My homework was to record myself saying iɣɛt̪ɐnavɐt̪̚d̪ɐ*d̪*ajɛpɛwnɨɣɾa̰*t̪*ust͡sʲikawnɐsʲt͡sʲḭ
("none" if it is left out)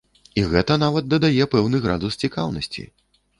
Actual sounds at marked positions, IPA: d̪, d̪

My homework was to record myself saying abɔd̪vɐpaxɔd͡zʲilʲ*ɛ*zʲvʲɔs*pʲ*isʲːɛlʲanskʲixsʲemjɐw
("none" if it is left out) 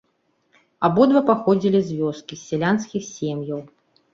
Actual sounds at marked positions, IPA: i, kʲ

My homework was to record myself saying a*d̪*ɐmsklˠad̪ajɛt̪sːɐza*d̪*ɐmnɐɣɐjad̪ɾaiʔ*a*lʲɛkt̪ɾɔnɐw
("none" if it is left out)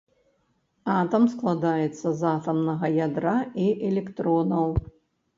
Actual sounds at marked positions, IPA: t̪, t̪, ɛ

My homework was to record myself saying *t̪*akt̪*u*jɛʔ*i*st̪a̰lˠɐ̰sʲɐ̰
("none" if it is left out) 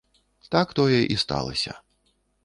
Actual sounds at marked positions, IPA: t̪, ɔ, i

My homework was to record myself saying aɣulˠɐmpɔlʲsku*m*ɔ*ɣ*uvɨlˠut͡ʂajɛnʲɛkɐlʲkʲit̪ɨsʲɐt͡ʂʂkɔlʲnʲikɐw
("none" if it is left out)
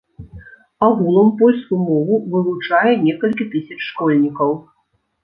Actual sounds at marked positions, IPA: m, v

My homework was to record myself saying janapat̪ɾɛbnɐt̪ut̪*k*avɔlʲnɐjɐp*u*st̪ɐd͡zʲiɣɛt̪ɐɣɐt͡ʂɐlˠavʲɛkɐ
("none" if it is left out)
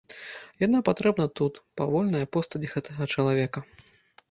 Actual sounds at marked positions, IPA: p, ɔ

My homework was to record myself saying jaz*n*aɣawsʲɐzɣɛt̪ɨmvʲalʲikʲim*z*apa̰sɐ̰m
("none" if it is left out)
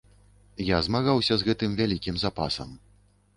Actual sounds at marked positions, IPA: m, z

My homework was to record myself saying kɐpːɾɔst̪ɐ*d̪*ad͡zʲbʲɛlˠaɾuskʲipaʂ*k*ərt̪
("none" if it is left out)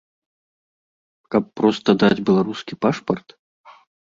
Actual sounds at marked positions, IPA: d̪, p

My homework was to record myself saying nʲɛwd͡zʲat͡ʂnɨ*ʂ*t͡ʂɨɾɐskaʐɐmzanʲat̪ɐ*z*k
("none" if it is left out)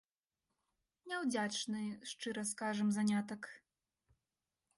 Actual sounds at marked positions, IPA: ʂ, none

